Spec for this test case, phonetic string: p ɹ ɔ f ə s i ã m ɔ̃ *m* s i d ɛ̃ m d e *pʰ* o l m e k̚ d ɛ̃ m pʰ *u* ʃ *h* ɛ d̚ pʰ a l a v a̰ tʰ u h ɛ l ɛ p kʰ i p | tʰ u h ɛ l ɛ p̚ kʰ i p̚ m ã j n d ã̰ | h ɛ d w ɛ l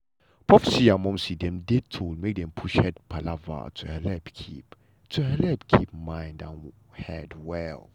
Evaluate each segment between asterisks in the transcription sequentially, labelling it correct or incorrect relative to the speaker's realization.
correct, incorrect, correct, correct

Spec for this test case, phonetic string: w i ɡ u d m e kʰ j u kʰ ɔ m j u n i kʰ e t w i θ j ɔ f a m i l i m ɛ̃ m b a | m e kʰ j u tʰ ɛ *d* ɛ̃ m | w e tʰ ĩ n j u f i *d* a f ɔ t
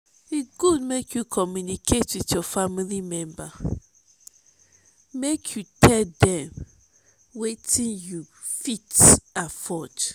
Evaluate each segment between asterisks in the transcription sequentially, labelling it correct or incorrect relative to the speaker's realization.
correct, incorrect

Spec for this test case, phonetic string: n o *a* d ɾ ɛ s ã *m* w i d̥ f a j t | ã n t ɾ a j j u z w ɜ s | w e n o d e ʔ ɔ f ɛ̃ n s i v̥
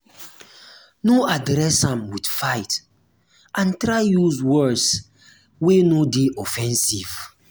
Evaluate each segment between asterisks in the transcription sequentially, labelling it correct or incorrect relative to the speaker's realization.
correct, correct

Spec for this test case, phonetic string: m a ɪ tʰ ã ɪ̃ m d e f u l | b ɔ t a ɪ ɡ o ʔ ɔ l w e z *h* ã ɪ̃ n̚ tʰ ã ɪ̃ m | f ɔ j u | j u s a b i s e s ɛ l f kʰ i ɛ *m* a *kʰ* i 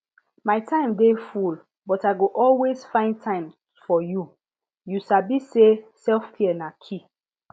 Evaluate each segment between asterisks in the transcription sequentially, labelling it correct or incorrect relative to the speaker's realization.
incorrect, incorrect, correct

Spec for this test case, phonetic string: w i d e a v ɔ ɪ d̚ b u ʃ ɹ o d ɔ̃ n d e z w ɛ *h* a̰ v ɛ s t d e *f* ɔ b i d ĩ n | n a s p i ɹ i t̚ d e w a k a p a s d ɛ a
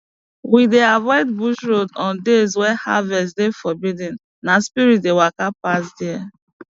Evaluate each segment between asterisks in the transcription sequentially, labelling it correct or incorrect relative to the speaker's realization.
correct, correct

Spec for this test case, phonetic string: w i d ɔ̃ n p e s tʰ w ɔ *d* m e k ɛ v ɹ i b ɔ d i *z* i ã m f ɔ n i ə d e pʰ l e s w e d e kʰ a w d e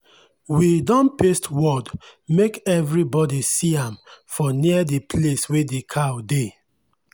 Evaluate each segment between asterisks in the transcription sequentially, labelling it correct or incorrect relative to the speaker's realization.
correct, incorrect

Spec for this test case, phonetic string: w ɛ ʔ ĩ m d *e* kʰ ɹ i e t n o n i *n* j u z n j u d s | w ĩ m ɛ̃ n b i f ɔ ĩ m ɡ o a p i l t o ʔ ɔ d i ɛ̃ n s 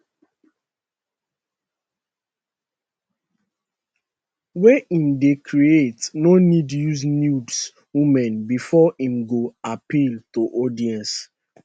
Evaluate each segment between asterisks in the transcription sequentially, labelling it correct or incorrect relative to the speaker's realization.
correct, incorrect

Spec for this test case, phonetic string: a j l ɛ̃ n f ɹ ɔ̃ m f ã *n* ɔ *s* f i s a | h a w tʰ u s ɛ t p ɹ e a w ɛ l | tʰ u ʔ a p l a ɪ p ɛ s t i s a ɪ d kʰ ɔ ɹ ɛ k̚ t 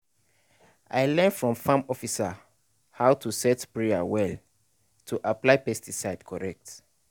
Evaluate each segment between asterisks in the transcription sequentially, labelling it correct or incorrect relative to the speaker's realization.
incorrect, incorrect

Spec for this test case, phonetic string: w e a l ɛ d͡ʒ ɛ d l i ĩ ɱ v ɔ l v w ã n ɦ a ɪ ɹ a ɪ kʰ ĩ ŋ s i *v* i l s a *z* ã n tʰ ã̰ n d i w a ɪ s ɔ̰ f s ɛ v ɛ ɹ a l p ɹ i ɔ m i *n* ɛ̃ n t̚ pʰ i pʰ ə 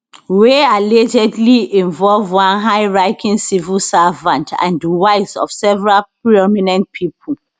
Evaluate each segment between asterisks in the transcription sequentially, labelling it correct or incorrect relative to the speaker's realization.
correct, incorrect, correct

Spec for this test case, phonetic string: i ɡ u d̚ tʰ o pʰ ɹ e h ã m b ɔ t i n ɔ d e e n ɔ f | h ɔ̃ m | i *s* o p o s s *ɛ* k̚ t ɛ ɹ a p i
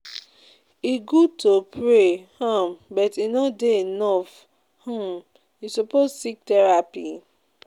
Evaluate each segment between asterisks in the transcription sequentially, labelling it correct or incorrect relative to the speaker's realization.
correct, incorrect

